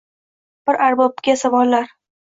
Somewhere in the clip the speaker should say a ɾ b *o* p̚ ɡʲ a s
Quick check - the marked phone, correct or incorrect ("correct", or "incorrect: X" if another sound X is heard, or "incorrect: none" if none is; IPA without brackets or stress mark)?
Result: incorrect: ɒ